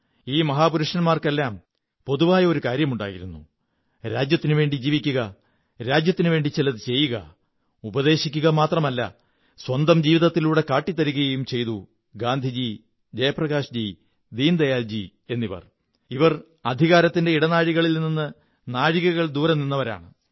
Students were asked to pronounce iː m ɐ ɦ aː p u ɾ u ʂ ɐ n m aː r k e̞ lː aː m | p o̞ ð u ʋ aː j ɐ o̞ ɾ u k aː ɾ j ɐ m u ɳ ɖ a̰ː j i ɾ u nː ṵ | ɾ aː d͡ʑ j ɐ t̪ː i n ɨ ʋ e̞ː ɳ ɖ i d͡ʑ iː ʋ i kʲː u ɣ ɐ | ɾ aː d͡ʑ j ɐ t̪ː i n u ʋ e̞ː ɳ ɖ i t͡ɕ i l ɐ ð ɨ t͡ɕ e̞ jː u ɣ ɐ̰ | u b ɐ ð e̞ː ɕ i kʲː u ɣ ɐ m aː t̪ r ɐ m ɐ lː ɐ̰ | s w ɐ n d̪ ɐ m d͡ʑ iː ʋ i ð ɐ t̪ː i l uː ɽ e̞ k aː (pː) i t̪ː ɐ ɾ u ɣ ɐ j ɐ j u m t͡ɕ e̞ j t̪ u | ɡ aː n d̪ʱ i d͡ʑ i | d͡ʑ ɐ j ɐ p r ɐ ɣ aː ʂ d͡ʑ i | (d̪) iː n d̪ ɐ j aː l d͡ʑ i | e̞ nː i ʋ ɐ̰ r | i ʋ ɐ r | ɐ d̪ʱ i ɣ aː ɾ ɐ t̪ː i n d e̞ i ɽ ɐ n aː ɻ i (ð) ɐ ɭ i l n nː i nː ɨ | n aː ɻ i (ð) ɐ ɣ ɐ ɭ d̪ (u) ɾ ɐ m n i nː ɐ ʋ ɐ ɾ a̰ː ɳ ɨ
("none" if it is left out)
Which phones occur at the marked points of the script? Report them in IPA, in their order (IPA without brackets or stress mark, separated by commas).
ʈː, d̪, ɣ, ɣ, uː